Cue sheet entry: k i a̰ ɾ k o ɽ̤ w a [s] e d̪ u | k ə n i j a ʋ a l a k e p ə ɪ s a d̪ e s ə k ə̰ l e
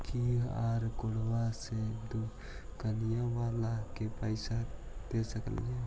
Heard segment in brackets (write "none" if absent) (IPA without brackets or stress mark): s